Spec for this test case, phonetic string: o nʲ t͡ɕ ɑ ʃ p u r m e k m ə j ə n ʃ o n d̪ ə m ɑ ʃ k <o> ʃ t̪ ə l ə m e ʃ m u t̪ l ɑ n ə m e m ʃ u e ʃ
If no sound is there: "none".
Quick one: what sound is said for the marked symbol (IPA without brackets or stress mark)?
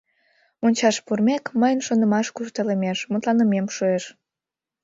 u